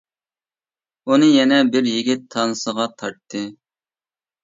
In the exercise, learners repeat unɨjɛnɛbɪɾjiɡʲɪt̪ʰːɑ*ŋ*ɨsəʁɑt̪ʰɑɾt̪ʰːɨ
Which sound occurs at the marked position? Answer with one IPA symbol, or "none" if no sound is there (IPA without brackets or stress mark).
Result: n